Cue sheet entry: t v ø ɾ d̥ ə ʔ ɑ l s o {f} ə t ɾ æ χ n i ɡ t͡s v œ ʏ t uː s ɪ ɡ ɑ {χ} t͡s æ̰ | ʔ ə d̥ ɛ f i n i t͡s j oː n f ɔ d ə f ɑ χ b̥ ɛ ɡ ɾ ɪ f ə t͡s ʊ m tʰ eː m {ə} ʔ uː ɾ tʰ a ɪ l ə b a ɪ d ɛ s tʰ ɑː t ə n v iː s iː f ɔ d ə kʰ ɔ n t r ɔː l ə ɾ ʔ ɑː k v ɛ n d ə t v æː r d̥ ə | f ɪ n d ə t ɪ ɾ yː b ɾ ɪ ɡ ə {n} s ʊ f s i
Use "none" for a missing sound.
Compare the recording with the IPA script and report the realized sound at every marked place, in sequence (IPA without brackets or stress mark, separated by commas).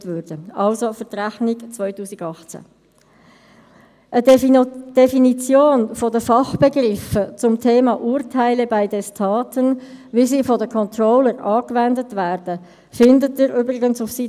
f, χ, ɑ, n